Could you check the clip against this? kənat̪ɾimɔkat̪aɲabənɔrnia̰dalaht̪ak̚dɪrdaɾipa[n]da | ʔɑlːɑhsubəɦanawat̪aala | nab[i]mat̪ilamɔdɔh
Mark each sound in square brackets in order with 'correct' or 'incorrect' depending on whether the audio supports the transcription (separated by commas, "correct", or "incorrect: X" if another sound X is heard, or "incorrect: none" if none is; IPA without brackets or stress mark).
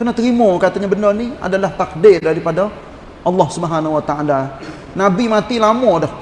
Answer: incorrect: none, correct